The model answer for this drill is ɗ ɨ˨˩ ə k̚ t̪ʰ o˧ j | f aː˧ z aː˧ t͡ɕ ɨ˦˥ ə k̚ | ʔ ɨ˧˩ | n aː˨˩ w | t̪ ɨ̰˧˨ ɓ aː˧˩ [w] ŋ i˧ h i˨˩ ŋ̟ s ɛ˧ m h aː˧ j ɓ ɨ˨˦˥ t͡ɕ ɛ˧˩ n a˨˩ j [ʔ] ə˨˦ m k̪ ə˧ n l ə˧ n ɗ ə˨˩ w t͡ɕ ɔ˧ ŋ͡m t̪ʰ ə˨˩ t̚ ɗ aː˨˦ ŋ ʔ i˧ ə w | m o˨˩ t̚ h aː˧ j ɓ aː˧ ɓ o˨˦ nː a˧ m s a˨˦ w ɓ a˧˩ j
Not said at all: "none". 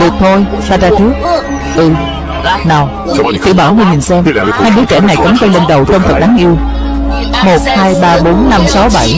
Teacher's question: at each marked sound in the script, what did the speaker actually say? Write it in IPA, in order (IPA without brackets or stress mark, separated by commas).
w, k